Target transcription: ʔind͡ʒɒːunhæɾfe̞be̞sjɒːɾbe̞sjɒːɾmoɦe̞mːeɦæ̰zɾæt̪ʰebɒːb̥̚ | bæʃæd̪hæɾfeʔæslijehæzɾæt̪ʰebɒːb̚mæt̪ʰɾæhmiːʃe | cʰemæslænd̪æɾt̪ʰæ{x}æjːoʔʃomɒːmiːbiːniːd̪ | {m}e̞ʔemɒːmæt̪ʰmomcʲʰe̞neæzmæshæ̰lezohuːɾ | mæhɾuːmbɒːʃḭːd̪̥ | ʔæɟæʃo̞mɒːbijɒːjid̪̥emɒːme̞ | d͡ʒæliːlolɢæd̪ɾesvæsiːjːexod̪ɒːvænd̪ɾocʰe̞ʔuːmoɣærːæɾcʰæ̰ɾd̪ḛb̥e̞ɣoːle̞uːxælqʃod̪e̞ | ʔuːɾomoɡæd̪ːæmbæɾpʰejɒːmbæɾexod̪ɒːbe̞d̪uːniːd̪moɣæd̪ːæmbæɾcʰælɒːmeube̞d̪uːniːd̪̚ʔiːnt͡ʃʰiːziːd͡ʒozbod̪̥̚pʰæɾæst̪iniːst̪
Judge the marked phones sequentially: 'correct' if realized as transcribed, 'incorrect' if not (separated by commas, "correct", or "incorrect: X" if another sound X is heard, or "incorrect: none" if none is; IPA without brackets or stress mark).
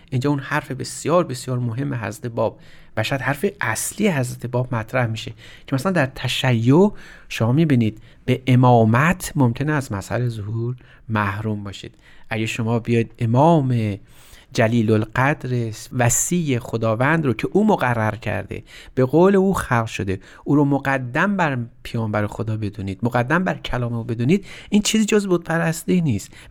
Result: incorrect: ʃ, incorrect: b